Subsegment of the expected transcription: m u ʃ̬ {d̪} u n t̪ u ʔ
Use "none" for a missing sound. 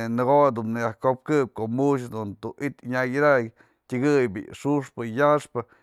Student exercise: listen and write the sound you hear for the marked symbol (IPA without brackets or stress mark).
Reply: d̪